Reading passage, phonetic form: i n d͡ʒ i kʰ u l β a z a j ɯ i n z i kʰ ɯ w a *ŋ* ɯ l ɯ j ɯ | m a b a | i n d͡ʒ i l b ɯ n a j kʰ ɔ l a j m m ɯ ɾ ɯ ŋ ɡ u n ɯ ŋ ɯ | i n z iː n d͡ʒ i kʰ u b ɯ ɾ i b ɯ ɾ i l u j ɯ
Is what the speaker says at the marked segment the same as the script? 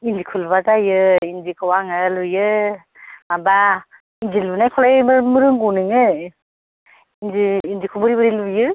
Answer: yes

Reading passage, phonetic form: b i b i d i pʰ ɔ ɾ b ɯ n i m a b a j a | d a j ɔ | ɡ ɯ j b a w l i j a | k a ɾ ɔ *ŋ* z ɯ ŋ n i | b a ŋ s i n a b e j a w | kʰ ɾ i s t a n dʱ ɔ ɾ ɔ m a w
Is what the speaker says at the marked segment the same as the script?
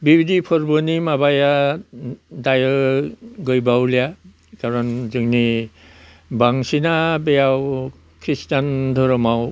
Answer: no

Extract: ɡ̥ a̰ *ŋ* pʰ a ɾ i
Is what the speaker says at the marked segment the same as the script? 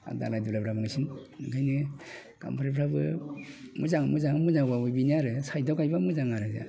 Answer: no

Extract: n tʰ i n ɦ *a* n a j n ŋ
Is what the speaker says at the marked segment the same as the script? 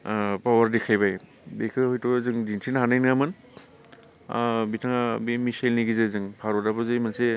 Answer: yes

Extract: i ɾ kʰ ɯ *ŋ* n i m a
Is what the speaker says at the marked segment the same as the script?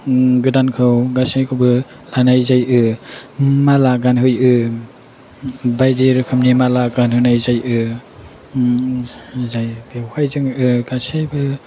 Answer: no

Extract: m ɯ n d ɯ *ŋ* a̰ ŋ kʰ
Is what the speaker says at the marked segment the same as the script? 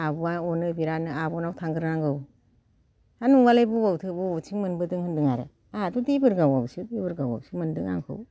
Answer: yes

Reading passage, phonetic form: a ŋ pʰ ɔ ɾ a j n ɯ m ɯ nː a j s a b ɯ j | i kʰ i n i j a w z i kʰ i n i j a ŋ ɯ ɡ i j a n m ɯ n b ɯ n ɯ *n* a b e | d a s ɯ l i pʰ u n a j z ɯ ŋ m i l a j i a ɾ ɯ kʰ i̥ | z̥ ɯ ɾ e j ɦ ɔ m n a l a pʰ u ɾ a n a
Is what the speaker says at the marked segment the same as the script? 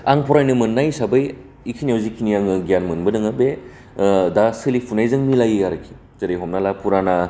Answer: no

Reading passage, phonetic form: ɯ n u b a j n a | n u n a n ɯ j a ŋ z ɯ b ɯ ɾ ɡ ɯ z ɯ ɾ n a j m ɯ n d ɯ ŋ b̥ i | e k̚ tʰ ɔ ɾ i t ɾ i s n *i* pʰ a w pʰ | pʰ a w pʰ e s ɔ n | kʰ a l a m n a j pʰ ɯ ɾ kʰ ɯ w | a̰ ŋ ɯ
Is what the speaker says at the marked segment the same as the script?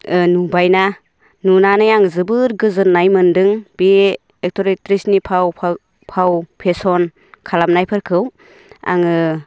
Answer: yes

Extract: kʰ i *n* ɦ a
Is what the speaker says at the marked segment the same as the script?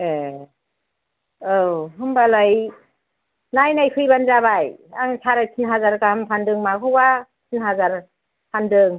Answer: yes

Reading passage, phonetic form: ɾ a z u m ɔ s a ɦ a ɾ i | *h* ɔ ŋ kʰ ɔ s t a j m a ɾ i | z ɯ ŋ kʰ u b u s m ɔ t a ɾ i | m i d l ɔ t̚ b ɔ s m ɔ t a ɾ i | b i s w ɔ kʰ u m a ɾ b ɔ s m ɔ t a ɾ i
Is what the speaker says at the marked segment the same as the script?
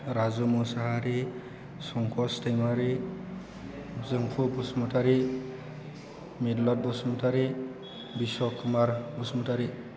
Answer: no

